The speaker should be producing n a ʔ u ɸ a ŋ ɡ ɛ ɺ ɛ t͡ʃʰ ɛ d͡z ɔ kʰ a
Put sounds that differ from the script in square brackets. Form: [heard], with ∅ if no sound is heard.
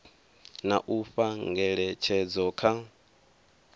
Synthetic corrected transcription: n a ʔ u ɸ a ŋ ɡ ɛ ɺ ɛ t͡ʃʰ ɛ d͡z ɔ kʰ a